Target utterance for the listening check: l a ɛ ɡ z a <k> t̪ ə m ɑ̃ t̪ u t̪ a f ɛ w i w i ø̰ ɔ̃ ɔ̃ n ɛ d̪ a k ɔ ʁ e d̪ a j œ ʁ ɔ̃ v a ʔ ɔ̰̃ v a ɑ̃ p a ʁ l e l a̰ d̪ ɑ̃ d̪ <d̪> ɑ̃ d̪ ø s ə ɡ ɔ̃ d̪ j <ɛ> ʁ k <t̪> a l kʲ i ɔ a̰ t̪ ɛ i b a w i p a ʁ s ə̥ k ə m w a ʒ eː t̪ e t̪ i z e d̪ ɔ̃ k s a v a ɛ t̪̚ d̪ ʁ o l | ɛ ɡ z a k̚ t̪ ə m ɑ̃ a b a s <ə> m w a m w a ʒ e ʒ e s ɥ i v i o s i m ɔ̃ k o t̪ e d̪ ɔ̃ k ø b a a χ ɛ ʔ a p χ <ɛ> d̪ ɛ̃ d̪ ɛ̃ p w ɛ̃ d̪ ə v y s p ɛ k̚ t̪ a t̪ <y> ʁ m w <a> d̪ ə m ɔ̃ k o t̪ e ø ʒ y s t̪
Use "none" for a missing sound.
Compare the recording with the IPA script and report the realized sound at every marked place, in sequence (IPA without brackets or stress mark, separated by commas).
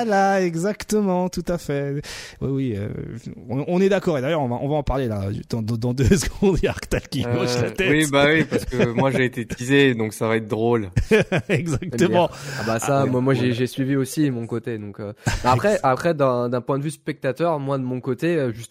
k, d̪, a, t̪, a, ɛ, œ, a